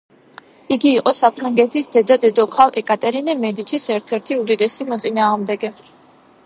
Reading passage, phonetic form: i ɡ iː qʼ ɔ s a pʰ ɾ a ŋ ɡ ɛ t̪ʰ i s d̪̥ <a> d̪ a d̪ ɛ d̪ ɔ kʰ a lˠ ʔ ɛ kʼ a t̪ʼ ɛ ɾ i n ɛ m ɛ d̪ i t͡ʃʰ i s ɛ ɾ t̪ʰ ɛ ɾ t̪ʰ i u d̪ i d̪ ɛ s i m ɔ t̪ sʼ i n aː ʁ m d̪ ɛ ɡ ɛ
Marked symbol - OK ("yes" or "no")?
no